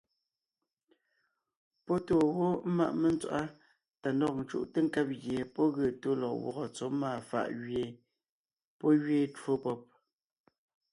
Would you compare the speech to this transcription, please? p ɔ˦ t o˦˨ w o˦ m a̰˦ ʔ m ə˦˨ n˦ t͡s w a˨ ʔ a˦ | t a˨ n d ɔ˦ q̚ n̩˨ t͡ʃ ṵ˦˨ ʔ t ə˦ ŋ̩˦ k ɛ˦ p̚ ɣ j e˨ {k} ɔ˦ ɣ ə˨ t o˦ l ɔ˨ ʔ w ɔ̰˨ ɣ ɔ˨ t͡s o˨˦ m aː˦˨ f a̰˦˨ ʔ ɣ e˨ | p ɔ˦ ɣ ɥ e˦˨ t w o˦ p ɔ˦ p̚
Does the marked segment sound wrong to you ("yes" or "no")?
yes